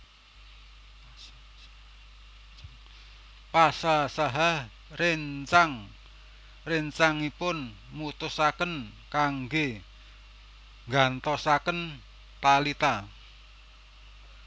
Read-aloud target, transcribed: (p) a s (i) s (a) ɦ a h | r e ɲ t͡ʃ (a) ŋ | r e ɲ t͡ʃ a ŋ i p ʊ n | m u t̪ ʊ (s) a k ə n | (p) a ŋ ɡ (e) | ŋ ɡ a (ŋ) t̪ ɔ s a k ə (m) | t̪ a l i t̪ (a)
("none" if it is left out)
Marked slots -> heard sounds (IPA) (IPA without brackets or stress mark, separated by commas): p, a, a, a, s, k, e, n, n, a